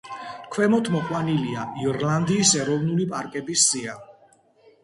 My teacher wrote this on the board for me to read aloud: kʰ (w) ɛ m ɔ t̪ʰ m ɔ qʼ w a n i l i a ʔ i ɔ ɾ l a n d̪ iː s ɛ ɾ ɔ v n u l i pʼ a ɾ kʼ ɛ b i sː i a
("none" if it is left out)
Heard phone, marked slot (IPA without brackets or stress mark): w